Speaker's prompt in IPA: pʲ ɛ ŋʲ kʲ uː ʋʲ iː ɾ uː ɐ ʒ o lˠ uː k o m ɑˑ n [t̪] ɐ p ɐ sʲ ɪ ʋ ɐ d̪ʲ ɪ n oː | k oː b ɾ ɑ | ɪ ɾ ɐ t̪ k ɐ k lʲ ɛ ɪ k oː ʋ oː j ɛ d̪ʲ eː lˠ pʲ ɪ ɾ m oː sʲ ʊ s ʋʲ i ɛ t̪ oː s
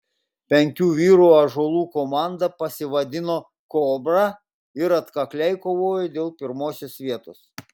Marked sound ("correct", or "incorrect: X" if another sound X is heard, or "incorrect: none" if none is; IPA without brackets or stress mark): incorrect: d̪